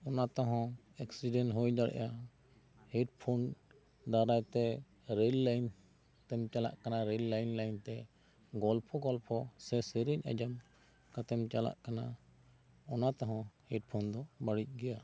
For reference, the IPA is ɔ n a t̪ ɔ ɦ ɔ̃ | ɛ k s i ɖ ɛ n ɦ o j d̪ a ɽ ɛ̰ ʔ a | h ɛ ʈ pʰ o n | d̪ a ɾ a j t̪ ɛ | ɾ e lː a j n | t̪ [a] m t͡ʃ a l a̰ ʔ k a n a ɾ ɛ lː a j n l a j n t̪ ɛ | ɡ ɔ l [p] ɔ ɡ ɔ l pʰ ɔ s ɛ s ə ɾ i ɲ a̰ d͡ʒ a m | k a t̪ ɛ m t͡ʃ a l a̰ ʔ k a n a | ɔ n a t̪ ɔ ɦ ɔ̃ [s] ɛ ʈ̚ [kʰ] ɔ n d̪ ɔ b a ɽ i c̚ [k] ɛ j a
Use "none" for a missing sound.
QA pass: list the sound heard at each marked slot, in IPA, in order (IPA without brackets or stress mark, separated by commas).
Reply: ɛ, pʰ, h, pʰ, ɡ